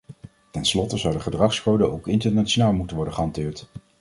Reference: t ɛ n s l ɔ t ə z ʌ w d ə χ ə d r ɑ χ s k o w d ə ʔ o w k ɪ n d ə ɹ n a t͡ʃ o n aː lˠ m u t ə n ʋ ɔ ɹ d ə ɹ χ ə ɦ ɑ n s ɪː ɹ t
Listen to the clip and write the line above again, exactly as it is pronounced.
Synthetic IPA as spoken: t ɛ n s l ɔ t ə z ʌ w d ə χ ə d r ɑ χ s k o w d ə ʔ o w k ɪ n t ə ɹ n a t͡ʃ o n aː lˠ m u t ə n ʋ ɔ ɹ d ə χ ə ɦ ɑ n t ɪː ɹ t